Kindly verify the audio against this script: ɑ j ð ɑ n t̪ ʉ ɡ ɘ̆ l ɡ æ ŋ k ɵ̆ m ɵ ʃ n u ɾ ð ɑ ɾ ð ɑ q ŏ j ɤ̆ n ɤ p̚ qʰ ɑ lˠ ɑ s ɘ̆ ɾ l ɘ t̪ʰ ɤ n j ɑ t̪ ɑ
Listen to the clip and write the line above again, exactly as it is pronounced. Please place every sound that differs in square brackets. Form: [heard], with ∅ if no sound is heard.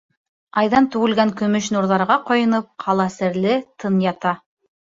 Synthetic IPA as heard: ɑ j ð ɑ n t̪ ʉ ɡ ɘ̆ l ɡ æ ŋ k ɵ̆ m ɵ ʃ n u ɾ ð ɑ ɾ [ʁ] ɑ q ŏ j ɤ̆ n ɤ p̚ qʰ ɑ lˠ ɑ s ɘ̆ ɾ l ɘ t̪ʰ ɤ n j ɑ t̪ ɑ

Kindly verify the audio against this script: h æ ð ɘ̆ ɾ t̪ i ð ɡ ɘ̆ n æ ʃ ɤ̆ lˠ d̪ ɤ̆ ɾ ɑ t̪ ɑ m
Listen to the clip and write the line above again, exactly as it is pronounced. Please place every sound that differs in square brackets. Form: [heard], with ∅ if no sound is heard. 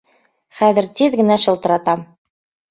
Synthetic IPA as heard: [χ] æ ð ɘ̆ ɾ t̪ i ð ɡ ɘ̆ n æ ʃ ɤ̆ lˠ [t̪] ɤ̆ ɾ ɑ t̪ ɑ m

